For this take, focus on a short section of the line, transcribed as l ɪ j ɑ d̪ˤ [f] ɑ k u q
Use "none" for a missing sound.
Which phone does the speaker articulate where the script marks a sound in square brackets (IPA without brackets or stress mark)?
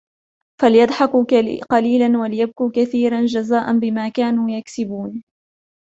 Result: ħ